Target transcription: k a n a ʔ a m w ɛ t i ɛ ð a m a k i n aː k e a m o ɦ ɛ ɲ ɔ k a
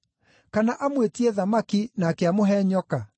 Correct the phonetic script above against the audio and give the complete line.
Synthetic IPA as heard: k a n a ʔ a m w e t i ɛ ð a m a k i n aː k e a m o ɦ ɛ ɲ ɔ k a